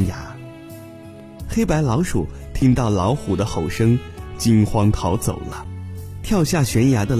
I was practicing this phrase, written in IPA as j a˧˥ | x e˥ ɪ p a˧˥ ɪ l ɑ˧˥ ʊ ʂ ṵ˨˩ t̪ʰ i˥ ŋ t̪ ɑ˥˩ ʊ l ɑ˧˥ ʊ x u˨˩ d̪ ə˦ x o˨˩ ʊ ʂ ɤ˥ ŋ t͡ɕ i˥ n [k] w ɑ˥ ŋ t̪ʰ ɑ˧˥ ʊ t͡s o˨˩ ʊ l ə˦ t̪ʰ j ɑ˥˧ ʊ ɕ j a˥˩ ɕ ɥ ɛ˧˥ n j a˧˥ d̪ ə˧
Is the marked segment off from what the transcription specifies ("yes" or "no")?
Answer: yes